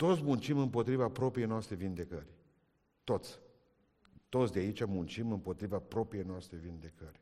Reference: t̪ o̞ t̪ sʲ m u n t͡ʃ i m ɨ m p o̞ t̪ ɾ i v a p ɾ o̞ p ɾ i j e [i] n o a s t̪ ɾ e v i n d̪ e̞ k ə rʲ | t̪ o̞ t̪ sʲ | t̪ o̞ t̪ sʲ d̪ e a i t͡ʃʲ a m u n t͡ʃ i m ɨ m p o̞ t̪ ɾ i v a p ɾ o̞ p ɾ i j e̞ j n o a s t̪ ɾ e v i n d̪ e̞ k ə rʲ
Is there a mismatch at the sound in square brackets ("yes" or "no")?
yes